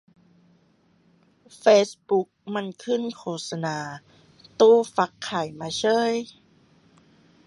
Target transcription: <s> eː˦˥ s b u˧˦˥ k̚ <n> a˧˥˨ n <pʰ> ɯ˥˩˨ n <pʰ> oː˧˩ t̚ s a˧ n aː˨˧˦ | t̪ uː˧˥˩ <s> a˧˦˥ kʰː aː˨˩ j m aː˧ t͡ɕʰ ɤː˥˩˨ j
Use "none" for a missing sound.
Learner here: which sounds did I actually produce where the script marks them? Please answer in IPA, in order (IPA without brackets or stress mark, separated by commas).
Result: f, m, kʰ, kʰ, f